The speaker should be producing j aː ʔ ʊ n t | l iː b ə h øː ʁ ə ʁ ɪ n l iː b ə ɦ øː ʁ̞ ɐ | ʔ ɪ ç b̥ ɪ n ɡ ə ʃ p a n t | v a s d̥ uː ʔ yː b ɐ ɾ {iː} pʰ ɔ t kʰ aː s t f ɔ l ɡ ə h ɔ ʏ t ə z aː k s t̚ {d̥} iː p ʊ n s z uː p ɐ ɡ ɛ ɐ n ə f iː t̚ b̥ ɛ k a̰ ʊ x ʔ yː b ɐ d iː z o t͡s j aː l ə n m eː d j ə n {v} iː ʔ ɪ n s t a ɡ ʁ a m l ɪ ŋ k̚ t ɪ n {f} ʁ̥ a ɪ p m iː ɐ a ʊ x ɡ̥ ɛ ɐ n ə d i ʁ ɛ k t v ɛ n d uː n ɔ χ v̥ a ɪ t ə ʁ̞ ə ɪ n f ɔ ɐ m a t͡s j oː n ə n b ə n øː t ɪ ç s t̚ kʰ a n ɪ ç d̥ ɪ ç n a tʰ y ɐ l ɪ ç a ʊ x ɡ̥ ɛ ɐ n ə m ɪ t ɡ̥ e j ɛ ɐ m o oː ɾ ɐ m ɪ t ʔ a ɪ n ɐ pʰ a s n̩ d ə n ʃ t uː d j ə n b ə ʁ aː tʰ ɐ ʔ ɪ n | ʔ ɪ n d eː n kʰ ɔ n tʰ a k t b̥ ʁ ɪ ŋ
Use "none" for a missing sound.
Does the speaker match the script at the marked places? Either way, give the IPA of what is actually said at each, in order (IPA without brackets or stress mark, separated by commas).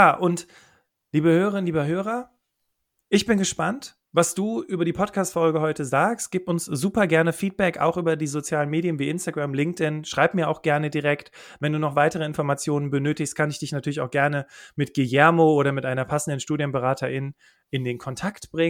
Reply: iː, ɡ̥, v, ʃ